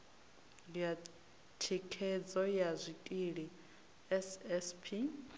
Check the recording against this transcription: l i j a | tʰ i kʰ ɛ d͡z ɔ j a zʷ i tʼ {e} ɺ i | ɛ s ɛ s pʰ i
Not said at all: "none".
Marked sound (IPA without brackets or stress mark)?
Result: i